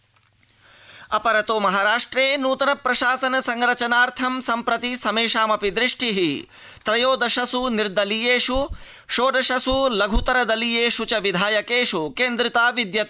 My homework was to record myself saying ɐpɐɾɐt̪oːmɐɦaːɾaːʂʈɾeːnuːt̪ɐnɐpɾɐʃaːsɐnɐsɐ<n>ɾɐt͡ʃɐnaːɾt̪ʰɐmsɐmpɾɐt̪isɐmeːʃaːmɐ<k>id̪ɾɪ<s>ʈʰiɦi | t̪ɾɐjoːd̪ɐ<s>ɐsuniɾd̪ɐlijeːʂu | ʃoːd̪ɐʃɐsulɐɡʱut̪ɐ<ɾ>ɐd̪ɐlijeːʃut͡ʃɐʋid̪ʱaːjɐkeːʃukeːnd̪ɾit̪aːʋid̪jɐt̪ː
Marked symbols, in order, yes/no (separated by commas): no, no, no, no, yes